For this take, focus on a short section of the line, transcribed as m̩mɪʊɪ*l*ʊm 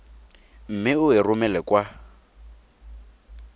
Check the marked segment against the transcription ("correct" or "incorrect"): incorrect